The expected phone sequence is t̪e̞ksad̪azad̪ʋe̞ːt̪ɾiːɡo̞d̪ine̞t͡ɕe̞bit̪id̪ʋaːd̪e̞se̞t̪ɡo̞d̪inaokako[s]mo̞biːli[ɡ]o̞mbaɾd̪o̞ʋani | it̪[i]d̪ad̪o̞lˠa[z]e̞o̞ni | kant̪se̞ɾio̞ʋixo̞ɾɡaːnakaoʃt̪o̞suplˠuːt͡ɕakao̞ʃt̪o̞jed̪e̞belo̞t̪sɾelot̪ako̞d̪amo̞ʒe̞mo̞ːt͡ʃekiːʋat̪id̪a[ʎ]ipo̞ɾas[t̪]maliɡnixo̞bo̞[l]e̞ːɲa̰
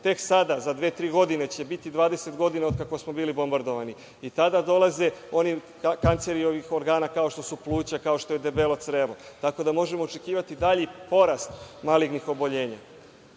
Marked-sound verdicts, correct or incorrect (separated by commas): correct, incorrect, incorrect, correct, correct, correct, incorrect